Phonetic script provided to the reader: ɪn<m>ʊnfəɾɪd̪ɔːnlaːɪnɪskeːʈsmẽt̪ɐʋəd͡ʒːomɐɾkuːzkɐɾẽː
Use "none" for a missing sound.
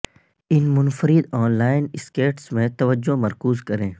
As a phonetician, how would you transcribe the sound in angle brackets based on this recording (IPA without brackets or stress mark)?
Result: m